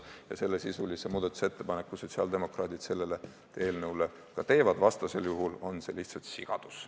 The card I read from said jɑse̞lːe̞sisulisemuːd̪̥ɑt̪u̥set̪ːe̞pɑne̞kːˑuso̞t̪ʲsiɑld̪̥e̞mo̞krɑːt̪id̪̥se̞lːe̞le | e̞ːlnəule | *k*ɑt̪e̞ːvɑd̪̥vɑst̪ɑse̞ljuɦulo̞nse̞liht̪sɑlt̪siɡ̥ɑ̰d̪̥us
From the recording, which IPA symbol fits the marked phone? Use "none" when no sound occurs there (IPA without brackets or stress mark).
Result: k